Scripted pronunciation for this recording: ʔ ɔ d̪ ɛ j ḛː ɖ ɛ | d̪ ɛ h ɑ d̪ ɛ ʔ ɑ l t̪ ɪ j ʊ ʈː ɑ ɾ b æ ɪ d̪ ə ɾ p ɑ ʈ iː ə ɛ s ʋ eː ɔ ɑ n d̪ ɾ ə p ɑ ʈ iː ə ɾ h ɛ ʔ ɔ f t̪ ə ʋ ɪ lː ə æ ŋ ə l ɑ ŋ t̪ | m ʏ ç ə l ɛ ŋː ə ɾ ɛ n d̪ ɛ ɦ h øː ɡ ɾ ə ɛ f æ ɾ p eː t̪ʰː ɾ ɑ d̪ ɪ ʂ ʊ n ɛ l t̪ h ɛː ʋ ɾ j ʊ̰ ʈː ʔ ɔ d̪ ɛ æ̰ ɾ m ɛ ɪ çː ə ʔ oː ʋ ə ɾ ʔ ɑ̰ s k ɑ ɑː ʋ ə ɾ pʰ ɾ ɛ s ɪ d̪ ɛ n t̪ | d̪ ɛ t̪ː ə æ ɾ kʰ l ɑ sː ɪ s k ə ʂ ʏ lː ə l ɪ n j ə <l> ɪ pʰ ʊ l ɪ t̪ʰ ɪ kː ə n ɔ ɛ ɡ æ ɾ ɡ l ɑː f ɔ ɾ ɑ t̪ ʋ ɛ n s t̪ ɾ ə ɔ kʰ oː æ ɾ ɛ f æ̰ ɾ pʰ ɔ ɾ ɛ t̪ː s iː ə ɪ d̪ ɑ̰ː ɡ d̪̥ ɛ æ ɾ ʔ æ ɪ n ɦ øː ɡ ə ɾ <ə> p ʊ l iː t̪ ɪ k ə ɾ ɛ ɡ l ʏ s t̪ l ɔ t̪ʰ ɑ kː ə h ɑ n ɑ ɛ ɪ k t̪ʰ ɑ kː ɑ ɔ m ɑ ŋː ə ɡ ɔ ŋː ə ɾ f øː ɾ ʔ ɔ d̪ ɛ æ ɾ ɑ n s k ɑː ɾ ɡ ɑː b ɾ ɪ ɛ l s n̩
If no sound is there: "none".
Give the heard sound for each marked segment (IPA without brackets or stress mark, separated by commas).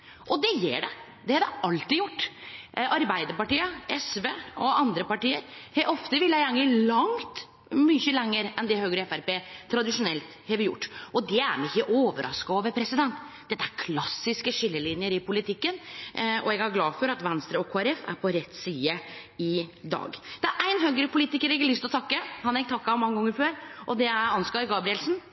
ɾ, ə